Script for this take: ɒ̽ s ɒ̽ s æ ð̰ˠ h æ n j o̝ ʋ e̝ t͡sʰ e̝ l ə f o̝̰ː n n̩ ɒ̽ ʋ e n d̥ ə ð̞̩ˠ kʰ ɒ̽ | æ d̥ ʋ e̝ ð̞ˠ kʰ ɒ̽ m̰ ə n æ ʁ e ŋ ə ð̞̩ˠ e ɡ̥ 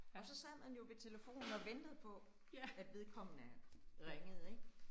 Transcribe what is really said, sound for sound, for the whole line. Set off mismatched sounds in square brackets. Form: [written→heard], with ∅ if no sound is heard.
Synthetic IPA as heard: ɒ̽ s ɒ̽ s æ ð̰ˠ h æ n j o̝ ʋ e̝ t͡sʰ e̝ l ə f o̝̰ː n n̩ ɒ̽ ʋ e n d̥ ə ð̞̩ˠ [kʰ→pʰ] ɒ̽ | æ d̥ ʋ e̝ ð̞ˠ kʰ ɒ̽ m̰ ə n æ ʁ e ŋ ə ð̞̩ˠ e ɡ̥